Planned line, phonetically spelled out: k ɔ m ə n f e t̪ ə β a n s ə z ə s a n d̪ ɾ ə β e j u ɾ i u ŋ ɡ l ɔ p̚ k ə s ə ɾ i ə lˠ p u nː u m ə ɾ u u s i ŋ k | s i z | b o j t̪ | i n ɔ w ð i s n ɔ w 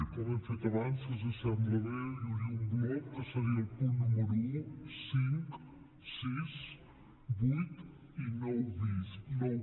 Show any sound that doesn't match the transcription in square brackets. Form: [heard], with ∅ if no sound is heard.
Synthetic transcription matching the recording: k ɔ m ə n f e t̪ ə β a n s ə z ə s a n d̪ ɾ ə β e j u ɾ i u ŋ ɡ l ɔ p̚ k ə s ə ɾ i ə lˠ p u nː u m ə ɾ u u s i ŋ k | s i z | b [u] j t̪ | i n ɔ w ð i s n ɔ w

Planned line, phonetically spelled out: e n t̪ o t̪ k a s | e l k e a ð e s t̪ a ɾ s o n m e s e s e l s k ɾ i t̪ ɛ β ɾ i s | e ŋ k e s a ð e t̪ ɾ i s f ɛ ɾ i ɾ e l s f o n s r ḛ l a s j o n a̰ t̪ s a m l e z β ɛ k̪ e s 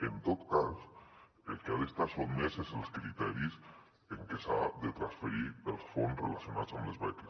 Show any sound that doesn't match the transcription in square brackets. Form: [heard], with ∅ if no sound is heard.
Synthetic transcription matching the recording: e n t̪ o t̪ k a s | e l k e a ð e s t̪ a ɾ s o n m e s e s e l s k ɾ i t̪ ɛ [∅] ɾ i s | e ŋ k e s a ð e t̪ ɾ [a] s f [e] ɾ i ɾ e l s f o n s r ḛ l a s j o n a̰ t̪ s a m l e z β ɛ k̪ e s

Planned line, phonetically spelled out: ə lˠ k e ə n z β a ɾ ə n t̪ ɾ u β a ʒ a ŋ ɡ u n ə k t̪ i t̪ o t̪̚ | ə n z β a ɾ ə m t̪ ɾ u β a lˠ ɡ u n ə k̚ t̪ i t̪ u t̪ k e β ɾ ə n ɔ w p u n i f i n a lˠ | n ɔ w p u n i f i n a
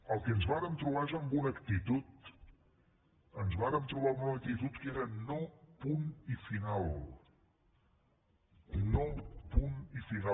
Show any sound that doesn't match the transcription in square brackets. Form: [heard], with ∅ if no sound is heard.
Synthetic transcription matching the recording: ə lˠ k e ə n z β a ɾ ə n t̪ ɾ u β a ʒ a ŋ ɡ u n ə k t̪ i t̪ [u] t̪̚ | ə n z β a ɾ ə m t̪ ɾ u β a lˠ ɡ u n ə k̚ t̪ i t̪ u t̪ k e [∅] ɾ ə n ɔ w p u n i f i n a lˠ | n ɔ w p u n i f i n a

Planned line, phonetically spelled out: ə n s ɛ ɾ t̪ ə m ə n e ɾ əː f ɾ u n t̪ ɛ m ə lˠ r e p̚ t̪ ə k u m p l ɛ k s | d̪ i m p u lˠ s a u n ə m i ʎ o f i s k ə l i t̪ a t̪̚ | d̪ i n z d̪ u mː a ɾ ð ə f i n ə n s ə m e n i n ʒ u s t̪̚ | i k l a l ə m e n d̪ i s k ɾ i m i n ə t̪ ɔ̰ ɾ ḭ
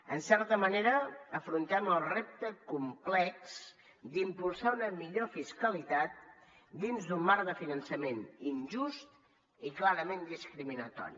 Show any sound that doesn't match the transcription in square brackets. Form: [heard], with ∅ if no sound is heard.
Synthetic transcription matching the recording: ə n s ɛ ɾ t̪ ə m ə n e ɾ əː f ɾ u n t̪ ɛ m ə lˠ r e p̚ t̪ ə k u m p l ɛ k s | d̪ i m p u lˠ s a u n ə m i ʎ o f i s k ə l i t̪ a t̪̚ | d̪ i n z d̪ u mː a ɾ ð ə f i n ə n s ə m e n i n ʒ u s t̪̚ | i k l a [ɾ] ə m e n d̪ i s k ɾ i m i n ə t̪ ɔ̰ ɾ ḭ

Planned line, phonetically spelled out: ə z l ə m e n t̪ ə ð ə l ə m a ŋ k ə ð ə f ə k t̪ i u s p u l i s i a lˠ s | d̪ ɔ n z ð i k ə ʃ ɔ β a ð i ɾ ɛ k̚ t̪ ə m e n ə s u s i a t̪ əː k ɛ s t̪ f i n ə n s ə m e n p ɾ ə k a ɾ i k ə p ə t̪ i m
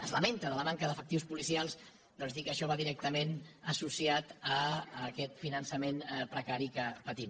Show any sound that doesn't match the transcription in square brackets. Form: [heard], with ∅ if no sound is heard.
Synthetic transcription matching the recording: ə z l ə m e n t̪ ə ð ə l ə m a ŋ k ə ð ə f ə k t̪ i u s p u l i s i a lˠ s | d̪ ɔ n z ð i k ə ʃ ɔ β a ð i ɾ ɛ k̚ t̪ ə m e n ə s u s i a t̪ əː k ɛ [∅] t̪ f i n ə n s ə m e n p ɾ ə k a ɾ i k ə p ə t̪ i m

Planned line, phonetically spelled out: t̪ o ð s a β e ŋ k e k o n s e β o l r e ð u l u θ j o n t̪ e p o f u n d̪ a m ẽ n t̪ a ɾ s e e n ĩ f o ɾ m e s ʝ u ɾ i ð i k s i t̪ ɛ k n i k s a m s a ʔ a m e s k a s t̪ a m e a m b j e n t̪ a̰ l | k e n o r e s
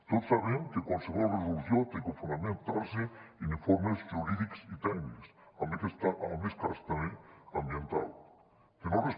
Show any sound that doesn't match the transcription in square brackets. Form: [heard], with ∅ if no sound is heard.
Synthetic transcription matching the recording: t̪ o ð s a β e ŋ k e k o n s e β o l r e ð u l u θ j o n t̪ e [k] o f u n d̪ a m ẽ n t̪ a ɾ s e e n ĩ f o ɾ m e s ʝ u ɾ i ð i k s i t̪ ɛ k n i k s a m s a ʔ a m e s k a s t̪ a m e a m b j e n t̪ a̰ l | k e n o r e s

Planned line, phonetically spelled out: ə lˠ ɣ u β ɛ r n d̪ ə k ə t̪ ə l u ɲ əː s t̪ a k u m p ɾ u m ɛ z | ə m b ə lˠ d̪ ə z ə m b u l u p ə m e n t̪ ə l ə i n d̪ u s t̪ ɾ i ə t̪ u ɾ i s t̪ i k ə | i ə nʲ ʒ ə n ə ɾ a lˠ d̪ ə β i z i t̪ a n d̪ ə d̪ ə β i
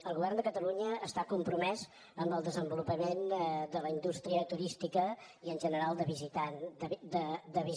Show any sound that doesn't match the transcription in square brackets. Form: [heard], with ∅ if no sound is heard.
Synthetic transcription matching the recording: ə lˠ ɣ u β ɛ r n d̪ ə k ə t̪ ə l u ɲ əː s t̪ a k u m p ɾ u m ɛ z | ə m b ə lˠ d̪ ə z ə m b u l u p ə m e n [d̪] ə l ə i n d̪ u s t̪ ɾ i ə t̪ u ɾ i s t̪ i k ə | i ə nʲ ʒ ə n ə ɾ a lˠ d̪ ə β i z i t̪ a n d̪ ə d̪ ə β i

